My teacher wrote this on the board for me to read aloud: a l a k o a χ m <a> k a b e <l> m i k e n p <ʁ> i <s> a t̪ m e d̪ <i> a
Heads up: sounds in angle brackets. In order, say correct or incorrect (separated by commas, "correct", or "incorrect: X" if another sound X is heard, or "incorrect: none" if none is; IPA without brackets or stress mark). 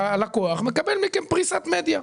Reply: incorrect: e, correct, correct, correct, incorrect: j